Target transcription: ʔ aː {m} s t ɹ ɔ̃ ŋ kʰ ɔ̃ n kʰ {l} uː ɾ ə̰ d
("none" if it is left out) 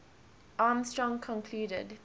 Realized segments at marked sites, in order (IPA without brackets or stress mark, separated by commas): m, l